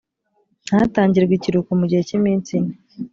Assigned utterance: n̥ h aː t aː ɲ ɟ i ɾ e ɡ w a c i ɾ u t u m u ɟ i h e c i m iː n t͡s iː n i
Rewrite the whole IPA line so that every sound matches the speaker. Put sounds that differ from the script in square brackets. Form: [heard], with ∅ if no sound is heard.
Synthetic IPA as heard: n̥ h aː t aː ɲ ɟ i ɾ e ɡ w [i] c i ɾ u [k] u m u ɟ i h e c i m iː n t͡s [i] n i